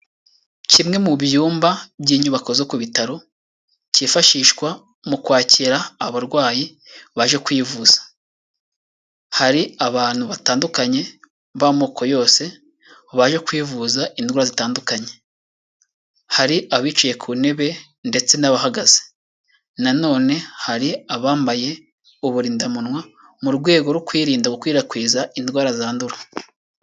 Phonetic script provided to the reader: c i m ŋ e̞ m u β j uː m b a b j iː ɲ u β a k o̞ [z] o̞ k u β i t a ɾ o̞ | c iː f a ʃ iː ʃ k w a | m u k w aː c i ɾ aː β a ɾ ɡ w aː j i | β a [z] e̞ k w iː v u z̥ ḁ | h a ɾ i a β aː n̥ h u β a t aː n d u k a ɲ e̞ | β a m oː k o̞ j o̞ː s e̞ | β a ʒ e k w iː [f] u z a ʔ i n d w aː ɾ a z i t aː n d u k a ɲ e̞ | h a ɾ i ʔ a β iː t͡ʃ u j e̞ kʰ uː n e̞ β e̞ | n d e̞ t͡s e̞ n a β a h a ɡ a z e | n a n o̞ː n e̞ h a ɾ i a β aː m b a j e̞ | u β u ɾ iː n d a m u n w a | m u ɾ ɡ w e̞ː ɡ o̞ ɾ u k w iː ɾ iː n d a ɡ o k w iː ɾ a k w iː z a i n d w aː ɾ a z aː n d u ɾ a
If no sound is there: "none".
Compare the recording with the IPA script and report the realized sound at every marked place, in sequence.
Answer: z, ʒ, v

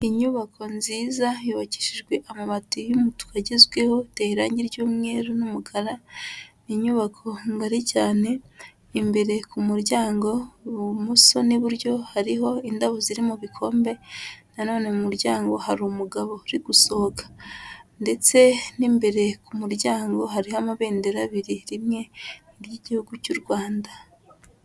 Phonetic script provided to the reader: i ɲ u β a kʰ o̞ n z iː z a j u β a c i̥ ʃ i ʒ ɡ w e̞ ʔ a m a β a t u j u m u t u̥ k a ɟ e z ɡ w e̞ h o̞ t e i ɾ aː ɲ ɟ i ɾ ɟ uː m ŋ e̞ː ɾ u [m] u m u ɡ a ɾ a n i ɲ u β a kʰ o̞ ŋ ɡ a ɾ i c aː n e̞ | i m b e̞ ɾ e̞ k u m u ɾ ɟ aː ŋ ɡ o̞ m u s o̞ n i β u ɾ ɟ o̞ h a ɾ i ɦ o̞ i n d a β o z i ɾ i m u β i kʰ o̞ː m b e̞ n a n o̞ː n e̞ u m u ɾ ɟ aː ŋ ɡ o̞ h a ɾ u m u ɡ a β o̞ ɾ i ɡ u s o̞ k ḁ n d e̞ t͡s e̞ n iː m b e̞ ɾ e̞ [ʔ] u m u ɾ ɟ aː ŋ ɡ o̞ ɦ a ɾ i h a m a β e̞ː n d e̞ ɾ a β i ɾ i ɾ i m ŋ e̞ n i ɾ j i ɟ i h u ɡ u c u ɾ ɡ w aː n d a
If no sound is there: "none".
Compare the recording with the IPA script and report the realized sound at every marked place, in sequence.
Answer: n, k

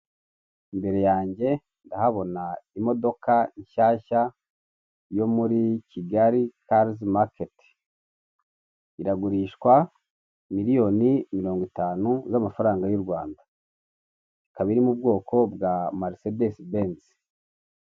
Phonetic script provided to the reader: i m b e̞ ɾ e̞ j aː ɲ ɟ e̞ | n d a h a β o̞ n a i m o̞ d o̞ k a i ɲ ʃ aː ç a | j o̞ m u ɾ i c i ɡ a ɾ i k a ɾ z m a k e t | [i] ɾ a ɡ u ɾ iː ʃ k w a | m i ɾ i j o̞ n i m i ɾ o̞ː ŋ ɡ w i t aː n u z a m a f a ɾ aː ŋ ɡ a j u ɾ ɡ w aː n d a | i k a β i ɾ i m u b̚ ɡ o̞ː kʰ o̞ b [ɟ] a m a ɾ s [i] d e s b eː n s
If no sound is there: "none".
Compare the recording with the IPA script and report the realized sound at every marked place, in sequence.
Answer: i, ɡ, e

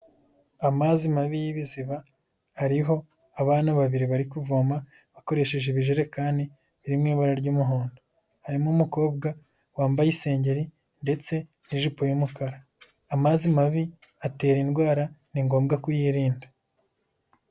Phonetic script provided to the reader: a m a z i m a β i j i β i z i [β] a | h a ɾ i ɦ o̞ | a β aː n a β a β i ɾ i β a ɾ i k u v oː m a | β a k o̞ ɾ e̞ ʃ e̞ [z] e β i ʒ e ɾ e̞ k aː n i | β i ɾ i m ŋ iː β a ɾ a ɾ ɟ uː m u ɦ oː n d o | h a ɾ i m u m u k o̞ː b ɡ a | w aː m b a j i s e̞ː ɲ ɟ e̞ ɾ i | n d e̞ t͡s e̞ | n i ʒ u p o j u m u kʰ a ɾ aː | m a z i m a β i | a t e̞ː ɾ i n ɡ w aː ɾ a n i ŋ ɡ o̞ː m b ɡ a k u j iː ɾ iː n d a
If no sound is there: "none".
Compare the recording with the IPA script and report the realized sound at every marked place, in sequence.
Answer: β, ʒ

